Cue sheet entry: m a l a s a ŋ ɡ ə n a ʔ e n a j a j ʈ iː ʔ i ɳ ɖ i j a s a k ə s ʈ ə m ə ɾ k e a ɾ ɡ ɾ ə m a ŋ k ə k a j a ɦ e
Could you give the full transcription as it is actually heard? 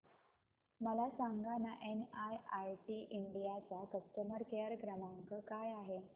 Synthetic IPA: m ə l a s a ŋ ɡ a n a ʔ e n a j a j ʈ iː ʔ i ɳ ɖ i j a t͡s a k ə s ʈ ə m ə ɾ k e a ɾ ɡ ɾ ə m a ŋ k ə k a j a ɦ e